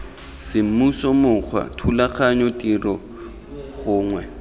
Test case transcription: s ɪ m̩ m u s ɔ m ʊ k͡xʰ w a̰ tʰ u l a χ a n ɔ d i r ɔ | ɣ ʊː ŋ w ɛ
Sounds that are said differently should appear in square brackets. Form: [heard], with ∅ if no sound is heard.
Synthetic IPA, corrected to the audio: s ɪ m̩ m u s ɔ m ʊ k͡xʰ w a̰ tʰ u l a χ a [ɲ] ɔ [t] i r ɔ | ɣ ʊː ŋ w ɛ